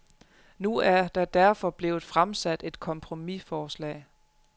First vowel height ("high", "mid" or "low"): high